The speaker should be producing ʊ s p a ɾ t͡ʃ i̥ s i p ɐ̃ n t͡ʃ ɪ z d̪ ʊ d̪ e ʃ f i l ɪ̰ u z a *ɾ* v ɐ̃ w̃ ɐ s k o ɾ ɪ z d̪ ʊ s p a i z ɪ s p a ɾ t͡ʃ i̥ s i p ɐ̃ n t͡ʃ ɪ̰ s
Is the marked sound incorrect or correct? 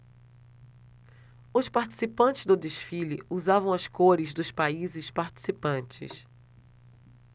incorrect